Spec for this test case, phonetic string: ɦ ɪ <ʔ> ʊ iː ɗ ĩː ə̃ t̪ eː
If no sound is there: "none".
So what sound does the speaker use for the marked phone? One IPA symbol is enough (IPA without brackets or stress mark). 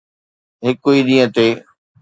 k